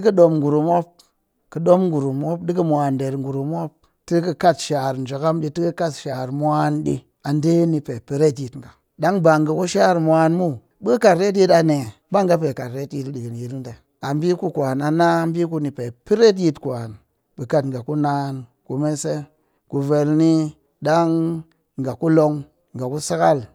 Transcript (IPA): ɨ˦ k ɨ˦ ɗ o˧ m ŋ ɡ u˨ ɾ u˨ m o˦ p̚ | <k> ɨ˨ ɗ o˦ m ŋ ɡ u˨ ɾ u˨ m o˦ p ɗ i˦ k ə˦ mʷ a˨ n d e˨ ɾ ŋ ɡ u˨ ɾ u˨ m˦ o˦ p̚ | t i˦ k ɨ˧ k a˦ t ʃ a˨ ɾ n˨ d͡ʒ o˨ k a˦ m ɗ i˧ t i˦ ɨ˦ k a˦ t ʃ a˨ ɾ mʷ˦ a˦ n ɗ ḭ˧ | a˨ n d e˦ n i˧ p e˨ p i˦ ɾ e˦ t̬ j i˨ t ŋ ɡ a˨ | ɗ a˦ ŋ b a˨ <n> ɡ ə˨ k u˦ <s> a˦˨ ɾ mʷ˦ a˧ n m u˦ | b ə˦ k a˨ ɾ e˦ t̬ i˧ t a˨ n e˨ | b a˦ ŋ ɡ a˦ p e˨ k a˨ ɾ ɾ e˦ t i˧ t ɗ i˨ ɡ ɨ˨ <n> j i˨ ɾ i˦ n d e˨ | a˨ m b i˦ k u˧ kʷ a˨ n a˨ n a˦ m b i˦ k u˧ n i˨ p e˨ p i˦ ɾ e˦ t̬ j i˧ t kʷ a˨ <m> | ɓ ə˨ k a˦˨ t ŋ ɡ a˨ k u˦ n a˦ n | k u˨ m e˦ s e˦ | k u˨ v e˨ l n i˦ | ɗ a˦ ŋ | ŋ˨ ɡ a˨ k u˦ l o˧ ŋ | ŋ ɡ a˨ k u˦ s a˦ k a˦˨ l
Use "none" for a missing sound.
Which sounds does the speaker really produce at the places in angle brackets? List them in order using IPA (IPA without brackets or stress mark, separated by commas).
k, ŋ, ʃ, n, n